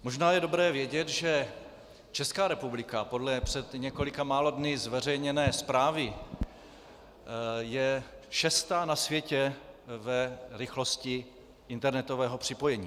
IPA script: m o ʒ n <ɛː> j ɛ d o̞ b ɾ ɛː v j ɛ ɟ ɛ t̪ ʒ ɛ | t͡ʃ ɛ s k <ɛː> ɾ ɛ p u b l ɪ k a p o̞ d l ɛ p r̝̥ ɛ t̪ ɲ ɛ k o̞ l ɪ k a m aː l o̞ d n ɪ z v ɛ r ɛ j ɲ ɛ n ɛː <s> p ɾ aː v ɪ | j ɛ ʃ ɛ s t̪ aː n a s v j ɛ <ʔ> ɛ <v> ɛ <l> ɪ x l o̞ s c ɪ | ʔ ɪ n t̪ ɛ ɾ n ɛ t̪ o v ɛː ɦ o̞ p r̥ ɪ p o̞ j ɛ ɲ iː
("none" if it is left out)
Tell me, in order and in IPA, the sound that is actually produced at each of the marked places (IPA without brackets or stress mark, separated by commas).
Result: aː, aː, s, c, v, ɾ